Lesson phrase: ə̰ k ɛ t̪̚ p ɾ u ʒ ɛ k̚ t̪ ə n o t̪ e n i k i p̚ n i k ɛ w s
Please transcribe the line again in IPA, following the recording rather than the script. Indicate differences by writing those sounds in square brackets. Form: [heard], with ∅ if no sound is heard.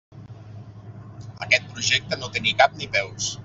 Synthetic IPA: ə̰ k ɛ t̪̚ p ɾ u ʒ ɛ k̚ t̪ ə n o t̪ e n i k [a] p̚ n i [p] ɛ w s